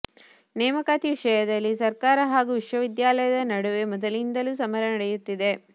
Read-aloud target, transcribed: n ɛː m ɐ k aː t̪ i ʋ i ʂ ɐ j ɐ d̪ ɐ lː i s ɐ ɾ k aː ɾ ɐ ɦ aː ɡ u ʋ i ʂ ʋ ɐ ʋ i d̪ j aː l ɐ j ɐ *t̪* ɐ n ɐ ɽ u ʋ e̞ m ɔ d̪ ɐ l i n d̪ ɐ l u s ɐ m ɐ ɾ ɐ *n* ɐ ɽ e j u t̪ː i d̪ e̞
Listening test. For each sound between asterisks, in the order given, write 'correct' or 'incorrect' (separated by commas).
incorrect, correct